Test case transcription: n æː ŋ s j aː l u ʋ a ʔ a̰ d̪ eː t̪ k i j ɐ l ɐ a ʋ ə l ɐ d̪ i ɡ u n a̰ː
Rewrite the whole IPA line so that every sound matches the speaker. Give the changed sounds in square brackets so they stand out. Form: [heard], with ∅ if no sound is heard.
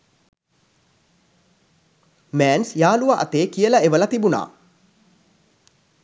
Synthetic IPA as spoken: [m] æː [n] s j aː l u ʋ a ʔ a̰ [t̪] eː [∅] k i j [ə] l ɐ [e] ʋ ə l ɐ [t̪] i [b] u n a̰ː